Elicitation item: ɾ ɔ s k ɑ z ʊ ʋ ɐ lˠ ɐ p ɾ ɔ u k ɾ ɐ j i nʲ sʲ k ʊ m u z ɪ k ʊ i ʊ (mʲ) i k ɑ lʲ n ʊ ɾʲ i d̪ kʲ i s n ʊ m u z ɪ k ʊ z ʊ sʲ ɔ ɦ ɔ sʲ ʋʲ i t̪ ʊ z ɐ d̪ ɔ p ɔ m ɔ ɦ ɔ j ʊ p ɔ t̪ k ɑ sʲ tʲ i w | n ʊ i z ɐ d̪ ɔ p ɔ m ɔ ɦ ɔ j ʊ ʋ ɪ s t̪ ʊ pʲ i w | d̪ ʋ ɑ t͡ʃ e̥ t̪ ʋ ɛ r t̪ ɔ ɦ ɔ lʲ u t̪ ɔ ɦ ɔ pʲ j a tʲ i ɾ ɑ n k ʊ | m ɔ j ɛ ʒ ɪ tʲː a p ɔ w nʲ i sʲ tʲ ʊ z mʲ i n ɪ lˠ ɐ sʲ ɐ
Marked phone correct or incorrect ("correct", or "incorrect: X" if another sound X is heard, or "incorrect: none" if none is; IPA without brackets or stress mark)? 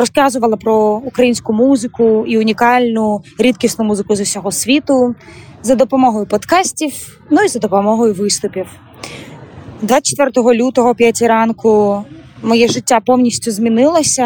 incorrect: nʲ